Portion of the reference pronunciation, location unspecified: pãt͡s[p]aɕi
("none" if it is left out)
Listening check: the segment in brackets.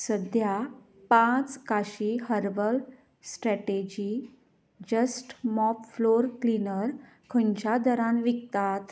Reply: k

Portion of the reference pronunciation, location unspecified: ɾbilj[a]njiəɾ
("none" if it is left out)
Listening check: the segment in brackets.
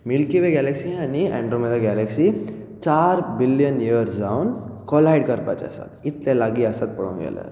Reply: ə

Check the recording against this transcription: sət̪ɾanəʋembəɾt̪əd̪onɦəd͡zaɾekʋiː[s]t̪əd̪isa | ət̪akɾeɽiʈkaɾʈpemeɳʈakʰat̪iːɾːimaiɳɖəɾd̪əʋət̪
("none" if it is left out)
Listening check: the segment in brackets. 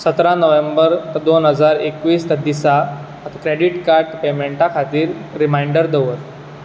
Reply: s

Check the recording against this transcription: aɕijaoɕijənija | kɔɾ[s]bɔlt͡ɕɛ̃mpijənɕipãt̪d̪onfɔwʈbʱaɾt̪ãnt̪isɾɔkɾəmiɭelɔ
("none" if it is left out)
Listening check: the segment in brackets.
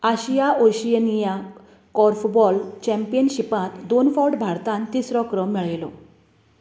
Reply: f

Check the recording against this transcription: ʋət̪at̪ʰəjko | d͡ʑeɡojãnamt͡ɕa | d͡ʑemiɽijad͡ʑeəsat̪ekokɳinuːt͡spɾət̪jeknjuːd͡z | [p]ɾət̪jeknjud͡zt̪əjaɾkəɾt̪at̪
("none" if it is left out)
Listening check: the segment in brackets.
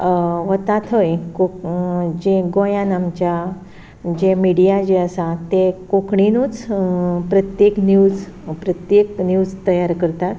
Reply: p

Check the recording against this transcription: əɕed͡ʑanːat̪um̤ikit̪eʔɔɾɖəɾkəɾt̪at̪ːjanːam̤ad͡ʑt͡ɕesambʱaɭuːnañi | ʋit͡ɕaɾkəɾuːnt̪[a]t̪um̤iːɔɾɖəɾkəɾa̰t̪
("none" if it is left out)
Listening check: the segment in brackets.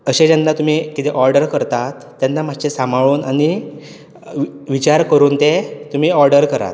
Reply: e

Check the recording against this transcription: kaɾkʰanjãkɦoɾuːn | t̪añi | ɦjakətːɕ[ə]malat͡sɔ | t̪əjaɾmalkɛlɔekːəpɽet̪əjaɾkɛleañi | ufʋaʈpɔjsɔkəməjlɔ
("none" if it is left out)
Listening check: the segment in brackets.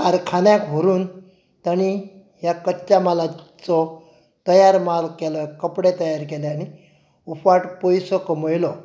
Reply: a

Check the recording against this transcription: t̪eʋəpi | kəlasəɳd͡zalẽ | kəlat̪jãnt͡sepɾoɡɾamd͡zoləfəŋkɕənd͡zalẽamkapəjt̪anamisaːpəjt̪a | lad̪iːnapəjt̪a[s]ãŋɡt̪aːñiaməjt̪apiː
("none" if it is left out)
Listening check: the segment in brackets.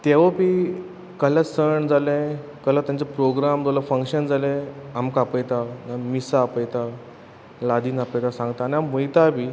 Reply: s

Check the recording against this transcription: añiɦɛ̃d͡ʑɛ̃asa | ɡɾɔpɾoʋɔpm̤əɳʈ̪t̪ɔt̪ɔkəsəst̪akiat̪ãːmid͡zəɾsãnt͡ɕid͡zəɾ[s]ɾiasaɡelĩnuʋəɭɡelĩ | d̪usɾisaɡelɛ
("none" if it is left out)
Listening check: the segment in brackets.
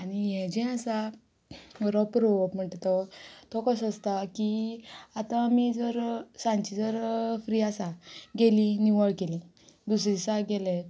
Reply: f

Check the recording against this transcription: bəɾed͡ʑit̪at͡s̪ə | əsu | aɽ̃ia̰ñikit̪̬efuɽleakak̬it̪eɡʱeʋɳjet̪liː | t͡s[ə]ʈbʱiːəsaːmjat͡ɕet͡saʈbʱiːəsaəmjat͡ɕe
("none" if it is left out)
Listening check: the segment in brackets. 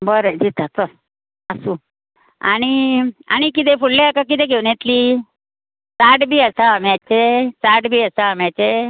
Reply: a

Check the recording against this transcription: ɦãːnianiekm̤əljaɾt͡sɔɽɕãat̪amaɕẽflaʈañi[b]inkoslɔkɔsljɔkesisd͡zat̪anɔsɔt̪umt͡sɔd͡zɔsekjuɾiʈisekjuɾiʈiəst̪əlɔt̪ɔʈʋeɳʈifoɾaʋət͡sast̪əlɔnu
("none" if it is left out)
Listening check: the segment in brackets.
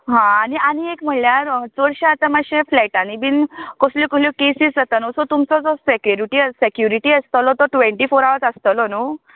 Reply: b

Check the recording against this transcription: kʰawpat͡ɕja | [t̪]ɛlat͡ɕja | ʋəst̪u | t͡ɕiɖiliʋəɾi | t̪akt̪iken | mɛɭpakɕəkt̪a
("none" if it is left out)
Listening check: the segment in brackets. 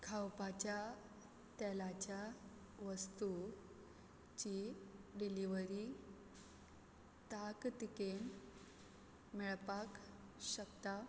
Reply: t̪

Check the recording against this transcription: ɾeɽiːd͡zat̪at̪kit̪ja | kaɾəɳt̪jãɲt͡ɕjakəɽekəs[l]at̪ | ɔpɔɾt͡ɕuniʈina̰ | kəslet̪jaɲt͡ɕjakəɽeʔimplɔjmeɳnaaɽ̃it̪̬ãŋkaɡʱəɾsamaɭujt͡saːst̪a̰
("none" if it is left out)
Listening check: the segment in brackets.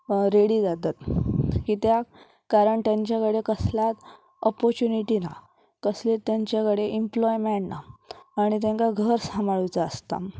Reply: l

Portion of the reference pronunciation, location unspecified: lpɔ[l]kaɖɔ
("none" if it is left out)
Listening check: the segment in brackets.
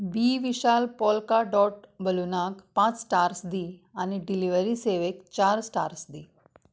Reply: l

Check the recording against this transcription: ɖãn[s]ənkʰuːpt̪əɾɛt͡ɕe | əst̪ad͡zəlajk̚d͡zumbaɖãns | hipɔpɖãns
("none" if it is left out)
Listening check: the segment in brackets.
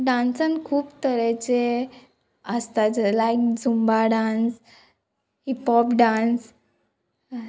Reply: s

